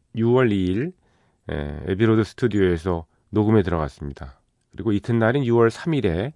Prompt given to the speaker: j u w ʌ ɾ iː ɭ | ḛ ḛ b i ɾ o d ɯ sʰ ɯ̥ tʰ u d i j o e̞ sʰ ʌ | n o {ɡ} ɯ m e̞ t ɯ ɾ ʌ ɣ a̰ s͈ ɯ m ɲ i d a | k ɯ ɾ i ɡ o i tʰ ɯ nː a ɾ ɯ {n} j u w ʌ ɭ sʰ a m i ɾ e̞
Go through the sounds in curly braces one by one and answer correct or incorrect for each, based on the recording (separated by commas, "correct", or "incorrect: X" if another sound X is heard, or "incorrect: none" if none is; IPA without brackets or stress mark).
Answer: correct, correct